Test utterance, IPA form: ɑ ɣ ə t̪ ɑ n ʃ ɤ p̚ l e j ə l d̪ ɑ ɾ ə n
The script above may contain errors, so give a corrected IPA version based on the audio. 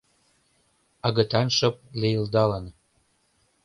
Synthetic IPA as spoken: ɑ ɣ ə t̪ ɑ n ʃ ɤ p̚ l e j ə l d̪ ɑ l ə n

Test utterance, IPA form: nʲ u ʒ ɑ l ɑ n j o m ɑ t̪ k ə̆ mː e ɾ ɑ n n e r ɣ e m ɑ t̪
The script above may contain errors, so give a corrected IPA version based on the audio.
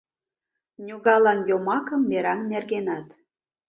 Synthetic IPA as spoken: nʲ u ɣ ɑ l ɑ n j o m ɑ k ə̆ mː e ɾ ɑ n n e r ɣ e n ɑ t̪

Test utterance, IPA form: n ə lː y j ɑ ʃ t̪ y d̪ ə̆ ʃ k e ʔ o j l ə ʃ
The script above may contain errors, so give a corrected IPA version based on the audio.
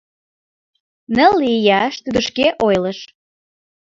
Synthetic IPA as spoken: n ə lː i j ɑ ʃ t̪ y d̪ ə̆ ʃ k e ʔ o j l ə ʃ

